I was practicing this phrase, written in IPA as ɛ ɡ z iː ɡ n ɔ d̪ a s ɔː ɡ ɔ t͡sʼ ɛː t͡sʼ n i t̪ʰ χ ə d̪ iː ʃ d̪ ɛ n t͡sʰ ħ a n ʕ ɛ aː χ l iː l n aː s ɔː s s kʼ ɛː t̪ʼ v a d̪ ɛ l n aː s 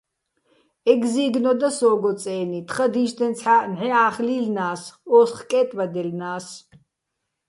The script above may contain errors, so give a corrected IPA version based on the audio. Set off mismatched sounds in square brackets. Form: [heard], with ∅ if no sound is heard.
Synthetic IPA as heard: ɛ ɡ z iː ɡ n ɔ d̪ a s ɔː ɡ ɔ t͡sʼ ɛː [∅] n i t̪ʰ χ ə d̪ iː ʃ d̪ ɛ n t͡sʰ ħ a n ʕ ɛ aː χ l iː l n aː s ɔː s [χ] kʼ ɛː t̪ʼ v a d̪ ɛ l n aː s